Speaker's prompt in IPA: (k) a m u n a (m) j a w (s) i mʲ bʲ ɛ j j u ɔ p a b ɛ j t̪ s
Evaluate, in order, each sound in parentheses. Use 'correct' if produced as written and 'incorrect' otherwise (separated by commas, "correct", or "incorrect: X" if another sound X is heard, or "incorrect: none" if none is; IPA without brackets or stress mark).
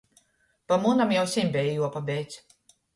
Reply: incorrect: p, correct, correct